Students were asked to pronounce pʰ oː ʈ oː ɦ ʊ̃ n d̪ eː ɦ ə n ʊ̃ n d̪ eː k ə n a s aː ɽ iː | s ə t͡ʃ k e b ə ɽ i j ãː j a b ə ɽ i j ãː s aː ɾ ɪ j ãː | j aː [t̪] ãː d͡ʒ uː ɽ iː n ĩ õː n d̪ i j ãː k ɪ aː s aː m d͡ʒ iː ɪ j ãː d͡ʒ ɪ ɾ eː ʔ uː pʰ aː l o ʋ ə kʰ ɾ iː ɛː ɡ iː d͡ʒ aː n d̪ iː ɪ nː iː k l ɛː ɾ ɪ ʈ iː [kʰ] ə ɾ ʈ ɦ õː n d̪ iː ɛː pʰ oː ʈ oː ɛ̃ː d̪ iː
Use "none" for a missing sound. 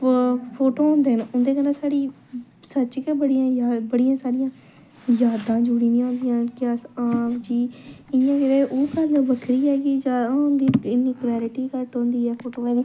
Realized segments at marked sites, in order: d̪, k

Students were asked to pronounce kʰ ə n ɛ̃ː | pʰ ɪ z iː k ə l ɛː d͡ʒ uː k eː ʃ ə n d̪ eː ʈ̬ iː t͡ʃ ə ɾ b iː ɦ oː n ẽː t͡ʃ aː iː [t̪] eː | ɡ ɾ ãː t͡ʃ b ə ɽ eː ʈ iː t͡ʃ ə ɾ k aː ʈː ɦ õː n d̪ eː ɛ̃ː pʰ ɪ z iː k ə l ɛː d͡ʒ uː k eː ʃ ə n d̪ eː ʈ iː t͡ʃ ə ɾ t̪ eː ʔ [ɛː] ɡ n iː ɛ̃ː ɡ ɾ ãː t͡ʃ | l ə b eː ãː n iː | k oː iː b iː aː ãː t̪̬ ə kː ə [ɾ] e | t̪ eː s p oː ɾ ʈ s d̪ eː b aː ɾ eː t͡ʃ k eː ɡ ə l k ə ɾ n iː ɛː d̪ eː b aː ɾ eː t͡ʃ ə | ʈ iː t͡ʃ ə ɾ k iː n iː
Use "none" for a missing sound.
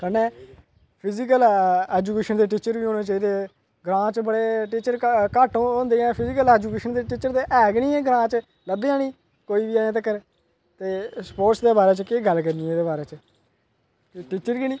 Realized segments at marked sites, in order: d̪, ɛː, ɾ

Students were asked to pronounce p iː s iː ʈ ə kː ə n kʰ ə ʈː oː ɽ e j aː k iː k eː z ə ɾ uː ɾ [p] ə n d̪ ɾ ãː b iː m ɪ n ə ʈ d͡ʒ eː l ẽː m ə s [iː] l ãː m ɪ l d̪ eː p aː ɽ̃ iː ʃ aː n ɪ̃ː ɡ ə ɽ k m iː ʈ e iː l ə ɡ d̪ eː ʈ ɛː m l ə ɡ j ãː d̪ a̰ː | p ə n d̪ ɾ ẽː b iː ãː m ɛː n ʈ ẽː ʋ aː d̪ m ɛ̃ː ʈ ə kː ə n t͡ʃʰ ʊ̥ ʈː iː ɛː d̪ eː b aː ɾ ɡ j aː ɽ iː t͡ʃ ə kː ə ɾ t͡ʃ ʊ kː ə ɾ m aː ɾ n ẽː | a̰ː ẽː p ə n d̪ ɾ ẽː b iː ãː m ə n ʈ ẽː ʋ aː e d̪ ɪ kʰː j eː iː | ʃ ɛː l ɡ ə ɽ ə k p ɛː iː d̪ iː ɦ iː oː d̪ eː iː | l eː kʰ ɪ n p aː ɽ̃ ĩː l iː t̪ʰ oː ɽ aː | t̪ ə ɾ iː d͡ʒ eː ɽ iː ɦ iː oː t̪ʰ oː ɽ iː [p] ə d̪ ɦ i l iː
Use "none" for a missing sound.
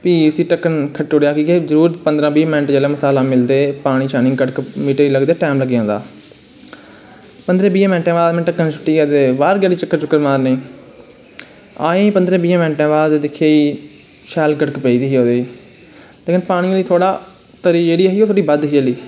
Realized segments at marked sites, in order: p, aː, b

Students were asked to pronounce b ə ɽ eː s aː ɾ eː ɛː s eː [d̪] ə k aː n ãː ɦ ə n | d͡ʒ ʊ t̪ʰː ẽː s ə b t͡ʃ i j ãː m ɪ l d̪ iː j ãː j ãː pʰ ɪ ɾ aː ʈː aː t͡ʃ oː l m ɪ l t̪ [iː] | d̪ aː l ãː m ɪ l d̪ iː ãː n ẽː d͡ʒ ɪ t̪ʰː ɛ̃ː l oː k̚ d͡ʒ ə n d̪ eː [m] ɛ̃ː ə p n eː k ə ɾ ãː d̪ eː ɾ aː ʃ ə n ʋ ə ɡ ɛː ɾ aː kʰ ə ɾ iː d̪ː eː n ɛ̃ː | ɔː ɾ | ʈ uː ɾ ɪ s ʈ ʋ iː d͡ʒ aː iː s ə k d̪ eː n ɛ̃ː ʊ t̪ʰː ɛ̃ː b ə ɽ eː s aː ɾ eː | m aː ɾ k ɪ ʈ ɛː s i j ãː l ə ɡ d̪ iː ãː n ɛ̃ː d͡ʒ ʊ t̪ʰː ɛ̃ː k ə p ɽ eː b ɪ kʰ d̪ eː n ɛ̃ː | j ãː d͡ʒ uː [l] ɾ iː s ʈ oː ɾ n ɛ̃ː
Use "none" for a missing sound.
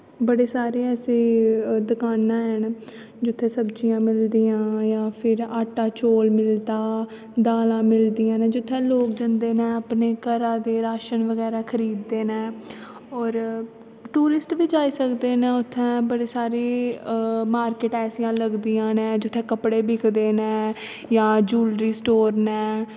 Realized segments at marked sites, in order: d̪, aː, n, l

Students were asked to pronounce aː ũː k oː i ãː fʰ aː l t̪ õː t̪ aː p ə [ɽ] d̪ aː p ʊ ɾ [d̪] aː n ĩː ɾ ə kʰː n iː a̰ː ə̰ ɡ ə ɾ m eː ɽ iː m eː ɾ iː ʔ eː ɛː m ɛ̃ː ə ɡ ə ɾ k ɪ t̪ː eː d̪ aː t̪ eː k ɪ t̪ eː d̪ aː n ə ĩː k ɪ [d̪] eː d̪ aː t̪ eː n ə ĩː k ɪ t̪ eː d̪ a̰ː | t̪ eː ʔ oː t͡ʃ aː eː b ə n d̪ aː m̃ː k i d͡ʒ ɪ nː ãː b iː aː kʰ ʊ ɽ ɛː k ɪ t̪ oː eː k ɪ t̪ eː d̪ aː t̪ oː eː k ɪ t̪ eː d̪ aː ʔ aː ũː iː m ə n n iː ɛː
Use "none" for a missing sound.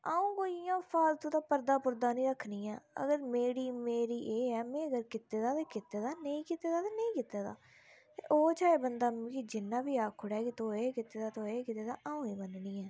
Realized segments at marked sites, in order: ɾ, d̪, t̪

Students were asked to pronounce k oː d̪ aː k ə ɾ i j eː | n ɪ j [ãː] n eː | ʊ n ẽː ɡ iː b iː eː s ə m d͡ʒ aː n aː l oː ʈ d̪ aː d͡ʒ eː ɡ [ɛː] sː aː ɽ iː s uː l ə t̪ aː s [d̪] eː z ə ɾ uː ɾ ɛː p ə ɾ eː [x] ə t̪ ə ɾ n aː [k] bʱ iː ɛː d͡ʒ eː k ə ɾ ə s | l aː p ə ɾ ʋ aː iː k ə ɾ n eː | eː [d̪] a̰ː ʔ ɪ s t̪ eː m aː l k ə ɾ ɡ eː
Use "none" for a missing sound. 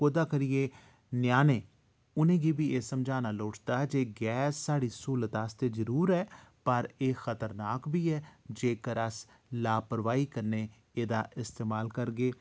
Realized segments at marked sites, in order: aː, ɛː, t̪, x, k, d̪

